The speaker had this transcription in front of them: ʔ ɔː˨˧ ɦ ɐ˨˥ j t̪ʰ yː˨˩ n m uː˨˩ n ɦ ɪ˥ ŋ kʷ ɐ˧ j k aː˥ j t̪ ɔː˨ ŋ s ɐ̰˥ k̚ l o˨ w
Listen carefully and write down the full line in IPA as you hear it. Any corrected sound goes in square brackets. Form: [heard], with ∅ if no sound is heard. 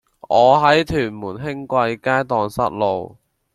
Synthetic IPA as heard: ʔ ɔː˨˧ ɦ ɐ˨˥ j t̪ʰ yː˨˩ n m uː˨˩ n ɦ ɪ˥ ŋ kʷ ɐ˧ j k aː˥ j t̪ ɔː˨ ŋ s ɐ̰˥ [t̚] l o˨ w